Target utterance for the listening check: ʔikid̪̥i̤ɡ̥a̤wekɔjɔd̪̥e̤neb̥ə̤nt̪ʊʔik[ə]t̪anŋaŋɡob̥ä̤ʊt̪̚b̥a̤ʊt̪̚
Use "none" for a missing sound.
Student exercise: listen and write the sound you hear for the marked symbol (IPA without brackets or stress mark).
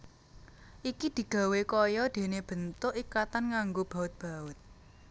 a